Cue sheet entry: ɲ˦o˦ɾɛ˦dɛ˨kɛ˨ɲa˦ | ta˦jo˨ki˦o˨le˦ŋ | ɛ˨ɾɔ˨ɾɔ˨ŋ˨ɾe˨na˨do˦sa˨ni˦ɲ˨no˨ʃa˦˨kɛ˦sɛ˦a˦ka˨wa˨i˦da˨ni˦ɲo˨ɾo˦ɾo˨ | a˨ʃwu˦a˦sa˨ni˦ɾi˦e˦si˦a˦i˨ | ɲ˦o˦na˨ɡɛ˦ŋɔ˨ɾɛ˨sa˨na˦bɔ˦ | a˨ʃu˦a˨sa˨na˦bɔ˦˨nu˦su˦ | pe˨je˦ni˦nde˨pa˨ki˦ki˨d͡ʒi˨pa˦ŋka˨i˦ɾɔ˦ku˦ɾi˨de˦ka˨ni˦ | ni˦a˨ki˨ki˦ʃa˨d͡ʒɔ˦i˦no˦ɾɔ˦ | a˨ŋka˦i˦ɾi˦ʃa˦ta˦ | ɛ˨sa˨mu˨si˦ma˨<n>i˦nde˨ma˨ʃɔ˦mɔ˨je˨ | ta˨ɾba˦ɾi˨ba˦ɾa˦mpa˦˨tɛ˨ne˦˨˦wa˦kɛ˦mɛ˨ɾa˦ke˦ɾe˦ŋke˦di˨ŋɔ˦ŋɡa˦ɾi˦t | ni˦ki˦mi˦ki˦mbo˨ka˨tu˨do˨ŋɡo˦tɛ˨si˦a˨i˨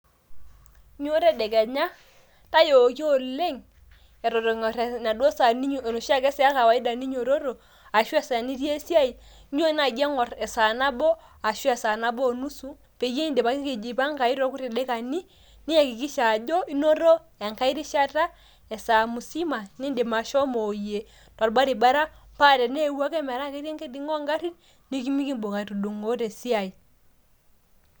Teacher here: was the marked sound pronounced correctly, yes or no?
yes